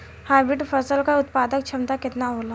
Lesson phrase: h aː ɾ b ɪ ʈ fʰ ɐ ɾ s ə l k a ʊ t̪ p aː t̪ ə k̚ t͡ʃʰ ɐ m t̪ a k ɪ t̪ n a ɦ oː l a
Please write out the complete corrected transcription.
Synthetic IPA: h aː ɾ b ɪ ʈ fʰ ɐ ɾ s ə l k a ʊ t̪ p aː d̪ ə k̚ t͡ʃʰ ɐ m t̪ a k ɪ t̪ n a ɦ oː l a